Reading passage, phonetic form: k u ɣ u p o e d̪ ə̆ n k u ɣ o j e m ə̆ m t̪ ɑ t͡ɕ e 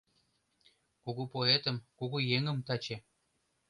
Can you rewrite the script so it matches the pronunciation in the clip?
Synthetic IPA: k u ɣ u p o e t̪ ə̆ m k u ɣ u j e ŋ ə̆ m t̪ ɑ t͡ɕ e